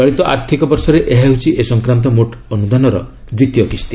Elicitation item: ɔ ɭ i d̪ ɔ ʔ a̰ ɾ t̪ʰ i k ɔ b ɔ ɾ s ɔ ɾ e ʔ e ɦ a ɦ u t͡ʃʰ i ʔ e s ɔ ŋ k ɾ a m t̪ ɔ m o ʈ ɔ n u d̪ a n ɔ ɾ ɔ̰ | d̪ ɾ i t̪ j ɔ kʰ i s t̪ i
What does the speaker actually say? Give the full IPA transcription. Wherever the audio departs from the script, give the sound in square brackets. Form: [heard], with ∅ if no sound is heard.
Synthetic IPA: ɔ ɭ i [t̪] ɔ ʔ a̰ ɾ t̪ʰ i k ɔ b ɔ ɾ s ɔ ɾ e ʔ e ɦ a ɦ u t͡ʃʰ i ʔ e s ɔ ŋ k ɾ a m t̪ ɔ m o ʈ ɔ n u d̪ a n ɔ ɾ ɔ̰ | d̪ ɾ i t̪ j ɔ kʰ i s t̪ i